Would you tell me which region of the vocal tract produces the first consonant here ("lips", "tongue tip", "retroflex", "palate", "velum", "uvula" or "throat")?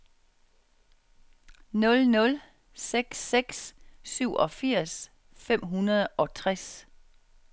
tongue tip